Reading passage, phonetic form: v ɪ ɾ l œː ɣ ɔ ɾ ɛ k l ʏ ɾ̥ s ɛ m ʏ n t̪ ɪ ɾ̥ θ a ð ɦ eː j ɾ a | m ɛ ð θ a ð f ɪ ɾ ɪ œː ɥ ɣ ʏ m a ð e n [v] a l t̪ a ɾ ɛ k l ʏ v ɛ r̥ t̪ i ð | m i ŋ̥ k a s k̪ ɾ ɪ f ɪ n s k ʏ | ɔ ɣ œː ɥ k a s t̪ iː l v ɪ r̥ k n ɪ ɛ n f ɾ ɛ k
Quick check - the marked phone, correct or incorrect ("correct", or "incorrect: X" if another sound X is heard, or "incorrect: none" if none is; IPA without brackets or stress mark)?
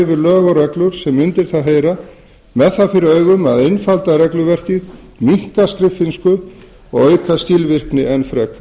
incorrect: f